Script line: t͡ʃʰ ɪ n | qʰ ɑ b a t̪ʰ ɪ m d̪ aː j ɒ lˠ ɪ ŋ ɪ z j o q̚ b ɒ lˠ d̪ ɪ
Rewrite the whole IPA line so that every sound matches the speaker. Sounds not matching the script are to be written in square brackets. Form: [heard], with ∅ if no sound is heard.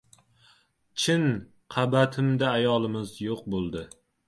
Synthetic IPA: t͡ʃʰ ɪ n | qʰ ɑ b a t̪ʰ ɪ m d̪ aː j ɒ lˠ ɪ [m] ɪ z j o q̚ b [o] lˠ d̪ ɪ